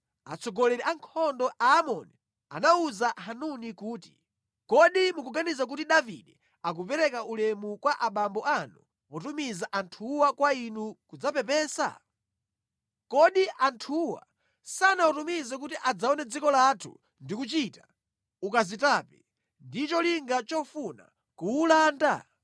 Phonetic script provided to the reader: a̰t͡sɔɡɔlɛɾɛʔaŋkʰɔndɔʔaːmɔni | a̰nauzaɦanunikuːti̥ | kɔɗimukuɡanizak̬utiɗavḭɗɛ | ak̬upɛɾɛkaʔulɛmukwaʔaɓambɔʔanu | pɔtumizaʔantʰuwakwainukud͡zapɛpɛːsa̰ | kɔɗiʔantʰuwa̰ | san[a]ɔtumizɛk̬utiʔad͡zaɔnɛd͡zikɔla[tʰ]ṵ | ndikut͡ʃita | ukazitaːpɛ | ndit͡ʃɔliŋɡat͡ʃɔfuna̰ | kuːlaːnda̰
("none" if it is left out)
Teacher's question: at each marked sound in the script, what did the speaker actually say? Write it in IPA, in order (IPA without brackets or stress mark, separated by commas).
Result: a, tʰ